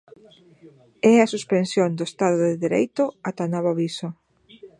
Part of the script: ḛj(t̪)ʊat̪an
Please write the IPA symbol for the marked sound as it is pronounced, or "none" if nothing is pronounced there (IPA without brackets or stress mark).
t̪